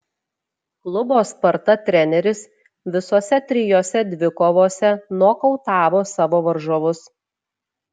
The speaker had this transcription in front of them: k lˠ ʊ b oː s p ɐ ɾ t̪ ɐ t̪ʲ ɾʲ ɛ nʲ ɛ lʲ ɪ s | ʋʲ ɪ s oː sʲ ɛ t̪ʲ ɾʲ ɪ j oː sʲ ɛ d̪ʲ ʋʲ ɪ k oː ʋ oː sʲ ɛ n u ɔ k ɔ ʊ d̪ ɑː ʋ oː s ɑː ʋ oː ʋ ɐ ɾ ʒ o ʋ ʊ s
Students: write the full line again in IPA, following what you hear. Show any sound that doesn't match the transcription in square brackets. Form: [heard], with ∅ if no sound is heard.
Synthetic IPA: k lˠ ʊ b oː s p ɐ ɾ t̪ ɐ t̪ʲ ɾʲ ɛ nʲ ɛ [ɾʲ] ɪ s | ʋʲ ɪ s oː sʲ ɛ t̪ʲ ɾʲ ɪ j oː sʲ ɛ d̪ʲ ʋʲ ɪ k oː ʋ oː sʲ ɛ n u ɔ k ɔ ʊ [t̪] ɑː ʋ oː s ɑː ʋ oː ʋ ɐ ɾ ʒ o ʋ ʊ s